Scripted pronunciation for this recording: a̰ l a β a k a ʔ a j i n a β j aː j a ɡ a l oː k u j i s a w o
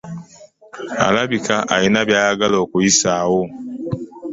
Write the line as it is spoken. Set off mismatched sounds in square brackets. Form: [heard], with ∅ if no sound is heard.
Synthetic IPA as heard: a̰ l a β [i] k a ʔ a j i n a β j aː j a ɡ a l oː k u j i s a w o